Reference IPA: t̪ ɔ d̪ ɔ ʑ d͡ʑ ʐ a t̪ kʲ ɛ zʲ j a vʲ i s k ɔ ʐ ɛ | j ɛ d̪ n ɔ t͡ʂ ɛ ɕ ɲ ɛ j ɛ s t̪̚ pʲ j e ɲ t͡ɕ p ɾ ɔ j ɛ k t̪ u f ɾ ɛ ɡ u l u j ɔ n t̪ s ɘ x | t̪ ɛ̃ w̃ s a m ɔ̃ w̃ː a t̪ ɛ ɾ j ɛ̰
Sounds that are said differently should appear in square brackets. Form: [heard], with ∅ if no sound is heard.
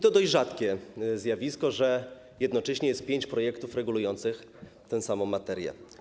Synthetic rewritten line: t̪ ɔ d̪ ɔ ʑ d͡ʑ ʐ a t̪ kʲ ɛ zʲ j a vʲ i s k ɔ ʐ ɛ | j ɛ d̪ n ɔ t͡ʂ ɛ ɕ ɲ ɛ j ɛ s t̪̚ pʲ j e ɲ t͡ɕ p ɾ ɔ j ɛ k t̪ u f ɾ ɛ ɡ u l u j ɔ n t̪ s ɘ x | t̪ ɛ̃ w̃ s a m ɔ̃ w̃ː a t̪ ɛ ɾ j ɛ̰